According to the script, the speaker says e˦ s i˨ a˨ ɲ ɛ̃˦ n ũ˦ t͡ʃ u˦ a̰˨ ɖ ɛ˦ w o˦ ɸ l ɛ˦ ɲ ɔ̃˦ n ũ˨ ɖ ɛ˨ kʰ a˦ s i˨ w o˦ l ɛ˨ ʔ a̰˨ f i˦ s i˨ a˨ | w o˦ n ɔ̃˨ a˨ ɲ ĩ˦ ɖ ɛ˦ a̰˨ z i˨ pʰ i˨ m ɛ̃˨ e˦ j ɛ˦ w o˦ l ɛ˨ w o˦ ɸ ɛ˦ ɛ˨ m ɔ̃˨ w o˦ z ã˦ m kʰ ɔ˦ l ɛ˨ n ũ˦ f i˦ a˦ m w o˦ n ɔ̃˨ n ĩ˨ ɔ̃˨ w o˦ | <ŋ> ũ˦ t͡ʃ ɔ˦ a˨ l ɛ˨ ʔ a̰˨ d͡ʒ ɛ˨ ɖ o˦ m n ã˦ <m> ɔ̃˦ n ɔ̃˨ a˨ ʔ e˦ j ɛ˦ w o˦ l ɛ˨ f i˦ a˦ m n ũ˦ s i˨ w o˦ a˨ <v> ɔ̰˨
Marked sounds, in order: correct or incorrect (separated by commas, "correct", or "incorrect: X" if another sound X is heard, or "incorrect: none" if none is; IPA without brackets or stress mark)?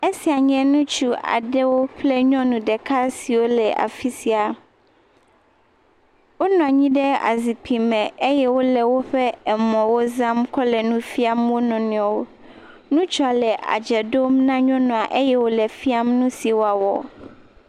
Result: incorrect: n, incorrect: ɲ, incorrect: w